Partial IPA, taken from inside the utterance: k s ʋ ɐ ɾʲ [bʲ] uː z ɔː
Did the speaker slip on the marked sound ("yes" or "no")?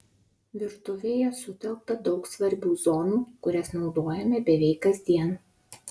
no